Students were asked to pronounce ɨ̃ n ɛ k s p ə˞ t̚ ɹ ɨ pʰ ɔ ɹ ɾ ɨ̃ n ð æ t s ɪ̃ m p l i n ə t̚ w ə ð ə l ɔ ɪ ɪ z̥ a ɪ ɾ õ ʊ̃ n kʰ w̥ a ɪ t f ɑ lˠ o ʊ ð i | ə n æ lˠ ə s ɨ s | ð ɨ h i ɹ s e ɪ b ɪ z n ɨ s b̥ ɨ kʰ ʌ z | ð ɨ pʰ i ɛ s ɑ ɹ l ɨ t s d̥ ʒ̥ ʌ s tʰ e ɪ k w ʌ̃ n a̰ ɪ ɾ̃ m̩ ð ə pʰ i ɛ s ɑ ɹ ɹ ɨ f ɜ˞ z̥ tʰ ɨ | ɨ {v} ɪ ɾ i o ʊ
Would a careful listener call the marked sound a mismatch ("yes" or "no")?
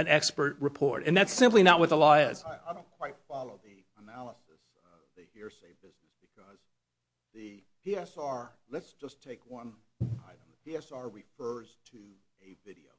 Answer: no